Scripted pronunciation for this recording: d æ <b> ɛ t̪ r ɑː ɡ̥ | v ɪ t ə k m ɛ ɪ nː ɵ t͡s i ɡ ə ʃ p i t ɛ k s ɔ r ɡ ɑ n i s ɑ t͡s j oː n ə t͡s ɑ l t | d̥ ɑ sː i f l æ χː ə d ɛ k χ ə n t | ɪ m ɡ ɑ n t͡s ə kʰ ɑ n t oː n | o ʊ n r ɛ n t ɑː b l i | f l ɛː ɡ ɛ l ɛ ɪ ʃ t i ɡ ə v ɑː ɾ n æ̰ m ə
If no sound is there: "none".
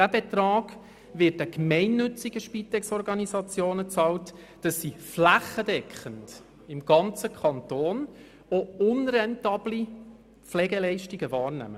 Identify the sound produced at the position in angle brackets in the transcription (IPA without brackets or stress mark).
b